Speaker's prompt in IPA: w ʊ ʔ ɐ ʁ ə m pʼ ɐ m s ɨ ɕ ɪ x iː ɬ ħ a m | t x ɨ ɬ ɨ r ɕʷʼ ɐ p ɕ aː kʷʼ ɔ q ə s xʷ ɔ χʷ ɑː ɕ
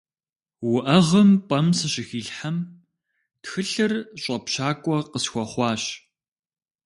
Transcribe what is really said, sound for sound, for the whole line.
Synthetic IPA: w ʊ ʔ ɐ ʁ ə m pʼ ɐ m s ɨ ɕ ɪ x iː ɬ ħ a m | t x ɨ ɬ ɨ r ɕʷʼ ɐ p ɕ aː kʷʼ ɔ q ə s xʷ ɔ χʷ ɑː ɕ